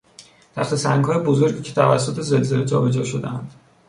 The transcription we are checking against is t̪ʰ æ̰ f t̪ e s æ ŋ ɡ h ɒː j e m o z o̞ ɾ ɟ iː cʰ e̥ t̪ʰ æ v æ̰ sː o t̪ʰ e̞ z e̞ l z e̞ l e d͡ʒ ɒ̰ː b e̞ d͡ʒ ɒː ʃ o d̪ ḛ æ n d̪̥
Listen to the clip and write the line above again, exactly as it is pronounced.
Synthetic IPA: t̪ʰ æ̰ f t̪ e s æ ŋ ɡ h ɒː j e b o z o̞ ɾ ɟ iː cʰ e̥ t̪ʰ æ v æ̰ sː o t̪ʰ e̞ z e̞ l z e̞ l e d͡ʒ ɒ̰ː b e̞ d͡ʒ ɒː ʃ o d̪ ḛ æ n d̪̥